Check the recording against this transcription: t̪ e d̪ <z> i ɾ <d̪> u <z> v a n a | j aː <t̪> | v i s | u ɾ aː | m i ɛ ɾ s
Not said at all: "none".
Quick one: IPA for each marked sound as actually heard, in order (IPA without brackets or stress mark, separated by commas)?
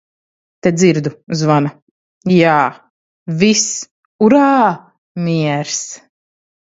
z, d̪, z, none